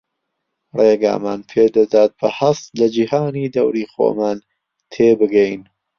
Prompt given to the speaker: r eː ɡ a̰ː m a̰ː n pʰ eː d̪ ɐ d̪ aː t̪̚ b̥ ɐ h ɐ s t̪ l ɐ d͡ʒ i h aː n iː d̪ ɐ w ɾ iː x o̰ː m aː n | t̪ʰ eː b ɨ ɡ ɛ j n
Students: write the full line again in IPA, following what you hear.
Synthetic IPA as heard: r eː ɡ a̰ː m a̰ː n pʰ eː d̪ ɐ d̪ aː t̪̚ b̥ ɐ h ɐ s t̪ l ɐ d͡ʒ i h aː n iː d̪ ɐ w ɾ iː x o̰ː m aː n | t̪ʰ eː b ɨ ɡ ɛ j n